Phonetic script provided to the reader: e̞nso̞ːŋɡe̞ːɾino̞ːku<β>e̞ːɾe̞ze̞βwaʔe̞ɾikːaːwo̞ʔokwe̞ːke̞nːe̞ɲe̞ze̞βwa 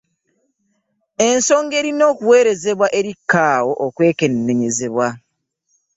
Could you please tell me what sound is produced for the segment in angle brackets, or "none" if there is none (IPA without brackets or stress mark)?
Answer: w